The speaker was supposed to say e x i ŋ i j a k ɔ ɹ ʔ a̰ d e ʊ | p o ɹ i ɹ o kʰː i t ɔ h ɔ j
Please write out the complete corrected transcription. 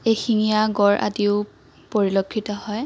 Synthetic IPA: e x i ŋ i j a ɡ ɔ ɹ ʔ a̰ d i ʊ | p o ɹ i l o kʰː i t ɔ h ɔ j